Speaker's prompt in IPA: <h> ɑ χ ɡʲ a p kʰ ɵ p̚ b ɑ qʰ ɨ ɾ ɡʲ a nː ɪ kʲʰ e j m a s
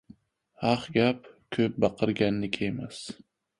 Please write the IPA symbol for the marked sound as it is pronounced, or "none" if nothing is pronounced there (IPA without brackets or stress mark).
h